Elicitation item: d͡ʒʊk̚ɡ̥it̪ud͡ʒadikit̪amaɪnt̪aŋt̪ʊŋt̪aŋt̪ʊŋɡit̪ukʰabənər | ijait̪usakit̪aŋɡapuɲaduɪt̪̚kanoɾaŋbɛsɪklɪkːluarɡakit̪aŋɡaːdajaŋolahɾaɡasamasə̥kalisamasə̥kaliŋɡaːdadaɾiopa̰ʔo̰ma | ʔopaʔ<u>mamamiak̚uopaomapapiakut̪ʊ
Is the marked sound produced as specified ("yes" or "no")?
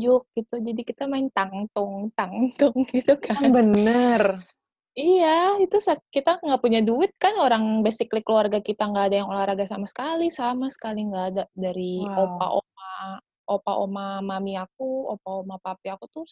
no